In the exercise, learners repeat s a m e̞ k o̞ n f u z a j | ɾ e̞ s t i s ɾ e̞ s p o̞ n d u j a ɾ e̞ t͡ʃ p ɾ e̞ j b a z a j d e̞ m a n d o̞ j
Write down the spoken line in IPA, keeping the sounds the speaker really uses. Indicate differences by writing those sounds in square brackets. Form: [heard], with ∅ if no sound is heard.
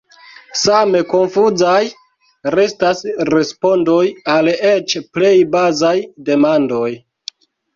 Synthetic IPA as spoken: s a m e̞ k o̞ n f u z a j | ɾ e̞ s t [a] s ɾ e̞ s p o̞ n d [o] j a [l] e̞ t͡ʃ p [l] e̞ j b a z a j d e̞ m a n d o̞ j